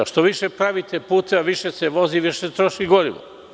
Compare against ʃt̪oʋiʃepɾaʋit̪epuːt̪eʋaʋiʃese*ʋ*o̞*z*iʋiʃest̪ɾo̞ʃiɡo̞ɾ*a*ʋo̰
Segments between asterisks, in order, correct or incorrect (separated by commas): correct, correct, incorrect